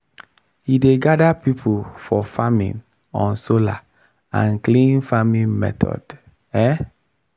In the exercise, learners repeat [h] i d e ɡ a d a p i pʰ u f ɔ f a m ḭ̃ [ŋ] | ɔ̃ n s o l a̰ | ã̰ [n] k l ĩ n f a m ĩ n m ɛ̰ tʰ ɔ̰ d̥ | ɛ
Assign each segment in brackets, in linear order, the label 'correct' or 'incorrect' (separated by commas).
correct, incorrect, correct